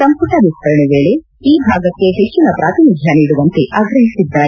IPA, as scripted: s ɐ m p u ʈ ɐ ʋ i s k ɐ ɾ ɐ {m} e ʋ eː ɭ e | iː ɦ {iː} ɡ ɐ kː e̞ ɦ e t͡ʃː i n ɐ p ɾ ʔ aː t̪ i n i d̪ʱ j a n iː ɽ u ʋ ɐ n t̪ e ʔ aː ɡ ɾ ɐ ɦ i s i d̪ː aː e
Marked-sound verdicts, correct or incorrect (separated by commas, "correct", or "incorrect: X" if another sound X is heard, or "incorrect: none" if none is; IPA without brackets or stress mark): incorrect: ɳ, incorrect: aː